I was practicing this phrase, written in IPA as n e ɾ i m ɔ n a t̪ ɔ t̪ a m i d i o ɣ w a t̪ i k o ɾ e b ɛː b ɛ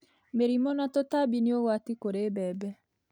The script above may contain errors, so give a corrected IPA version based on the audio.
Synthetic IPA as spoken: m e ɾ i m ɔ n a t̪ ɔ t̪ a b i n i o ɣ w a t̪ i k o ɾ e b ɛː b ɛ